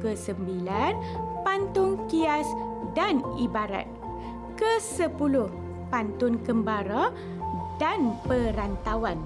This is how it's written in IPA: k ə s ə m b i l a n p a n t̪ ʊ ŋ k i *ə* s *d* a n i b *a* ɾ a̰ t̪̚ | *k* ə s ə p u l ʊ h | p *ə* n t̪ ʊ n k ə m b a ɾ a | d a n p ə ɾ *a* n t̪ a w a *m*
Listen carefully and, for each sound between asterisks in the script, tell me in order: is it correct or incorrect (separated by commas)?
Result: incorrect, correct, correct, correct, incorrect, correct, incorrect